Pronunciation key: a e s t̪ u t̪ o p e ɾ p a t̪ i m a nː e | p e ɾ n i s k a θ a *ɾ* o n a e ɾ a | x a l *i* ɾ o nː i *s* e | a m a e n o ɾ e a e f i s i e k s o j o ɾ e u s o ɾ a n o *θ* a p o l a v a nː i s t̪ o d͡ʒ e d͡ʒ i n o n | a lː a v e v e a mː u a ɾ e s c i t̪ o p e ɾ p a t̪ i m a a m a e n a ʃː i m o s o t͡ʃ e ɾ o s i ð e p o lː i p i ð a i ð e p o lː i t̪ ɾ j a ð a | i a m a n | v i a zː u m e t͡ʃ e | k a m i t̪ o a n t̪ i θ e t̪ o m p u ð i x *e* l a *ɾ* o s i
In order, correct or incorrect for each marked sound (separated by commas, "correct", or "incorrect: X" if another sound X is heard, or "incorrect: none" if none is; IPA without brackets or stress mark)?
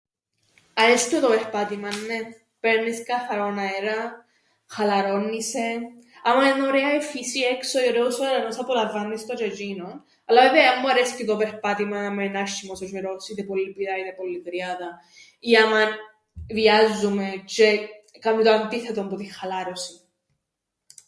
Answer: correct, incorrect: a, correct, incorrect: s, incorrect: a, correct